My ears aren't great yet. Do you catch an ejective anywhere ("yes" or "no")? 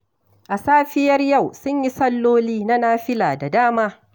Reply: no